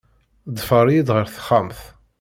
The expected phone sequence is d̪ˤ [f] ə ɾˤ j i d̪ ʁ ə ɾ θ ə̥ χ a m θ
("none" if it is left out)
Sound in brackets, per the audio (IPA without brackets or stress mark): f